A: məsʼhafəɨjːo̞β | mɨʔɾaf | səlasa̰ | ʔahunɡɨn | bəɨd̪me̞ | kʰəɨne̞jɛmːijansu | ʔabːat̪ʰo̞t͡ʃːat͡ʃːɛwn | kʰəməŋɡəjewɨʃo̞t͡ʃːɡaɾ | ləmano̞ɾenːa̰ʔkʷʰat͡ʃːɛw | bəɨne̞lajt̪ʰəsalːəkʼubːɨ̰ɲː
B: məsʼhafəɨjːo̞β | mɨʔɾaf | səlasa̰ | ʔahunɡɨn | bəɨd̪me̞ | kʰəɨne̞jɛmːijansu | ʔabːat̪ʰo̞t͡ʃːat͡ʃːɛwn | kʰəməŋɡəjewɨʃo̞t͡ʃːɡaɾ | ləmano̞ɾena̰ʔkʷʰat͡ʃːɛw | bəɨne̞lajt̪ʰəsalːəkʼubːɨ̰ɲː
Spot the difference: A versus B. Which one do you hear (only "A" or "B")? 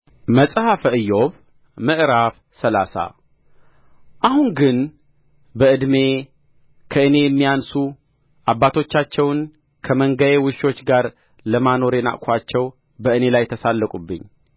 B